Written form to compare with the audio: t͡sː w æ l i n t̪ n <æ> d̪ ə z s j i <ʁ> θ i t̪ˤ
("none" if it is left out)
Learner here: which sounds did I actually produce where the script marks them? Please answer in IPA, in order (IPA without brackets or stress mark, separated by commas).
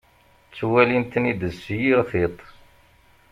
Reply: i, ʁ